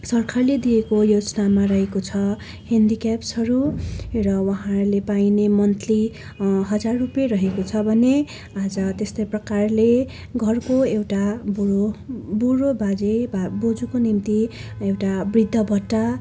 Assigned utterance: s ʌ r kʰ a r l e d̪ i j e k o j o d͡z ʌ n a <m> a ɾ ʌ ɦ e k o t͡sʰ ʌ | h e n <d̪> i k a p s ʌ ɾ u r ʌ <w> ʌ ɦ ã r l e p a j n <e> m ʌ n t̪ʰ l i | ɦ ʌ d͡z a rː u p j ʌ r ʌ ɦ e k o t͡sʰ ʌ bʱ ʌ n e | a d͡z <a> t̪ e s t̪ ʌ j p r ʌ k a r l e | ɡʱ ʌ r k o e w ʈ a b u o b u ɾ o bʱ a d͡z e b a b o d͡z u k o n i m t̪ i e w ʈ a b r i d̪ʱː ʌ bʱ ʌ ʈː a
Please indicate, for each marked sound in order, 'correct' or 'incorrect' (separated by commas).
correct, correct, correct, correct, incorrect